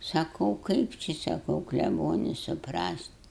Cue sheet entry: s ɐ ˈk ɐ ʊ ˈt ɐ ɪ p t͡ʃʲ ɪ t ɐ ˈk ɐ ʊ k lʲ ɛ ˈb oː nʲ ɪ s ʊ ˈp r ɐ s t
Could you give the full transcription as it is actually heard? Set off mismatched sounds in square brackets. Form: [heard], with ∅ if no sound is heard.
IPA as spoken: s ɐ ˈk ɐ ʊ [ˈk] ɐ ɪ p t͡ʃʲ ɪ [s] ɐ ˈk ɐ ʊ k lʲ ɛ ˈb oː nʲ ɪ s ʊ ˈp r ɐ s t